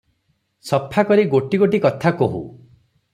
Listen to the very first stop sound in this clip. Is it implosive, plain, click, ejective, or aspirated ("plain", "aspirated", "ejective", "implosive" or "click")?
aspirated